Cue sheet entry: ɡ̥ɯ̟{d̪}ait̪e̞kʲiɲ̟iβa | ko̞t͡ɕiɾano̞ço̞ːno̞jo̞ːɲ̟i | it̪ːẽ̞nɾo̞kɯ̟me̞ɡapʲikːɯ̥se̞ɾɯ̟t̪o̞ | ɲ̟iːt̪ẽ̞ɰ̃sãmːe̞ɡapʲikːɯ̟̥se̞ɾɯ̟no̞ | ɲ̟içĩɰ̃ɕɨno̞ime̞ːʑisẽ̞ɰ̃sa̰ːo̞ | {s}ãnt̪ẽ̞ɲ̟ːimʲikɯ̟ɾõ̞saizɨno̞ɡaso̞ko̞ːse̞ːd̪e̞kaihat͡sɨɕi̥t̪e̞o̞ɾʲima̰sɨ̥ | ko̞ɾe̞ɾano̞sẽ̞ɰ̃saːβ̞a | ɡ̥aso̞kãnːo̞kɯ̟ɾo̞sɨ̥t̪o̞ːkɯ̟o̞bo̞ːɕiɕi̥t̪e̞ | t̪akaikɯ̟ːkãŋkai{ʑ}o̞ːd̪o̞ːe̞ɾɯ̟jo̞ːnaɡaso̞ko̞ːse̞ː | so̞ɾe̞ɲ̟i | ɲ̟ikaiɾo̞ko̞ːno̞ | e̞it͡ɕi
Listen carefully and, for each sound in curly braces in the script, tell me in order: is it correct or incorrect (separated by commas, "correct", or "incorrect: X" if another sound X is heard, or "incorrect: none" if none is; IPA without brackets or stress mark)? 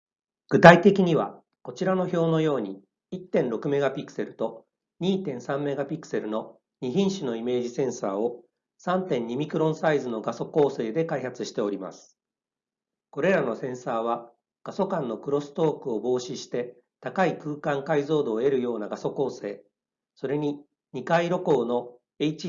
incorrect: t̪, correct, incorrect: z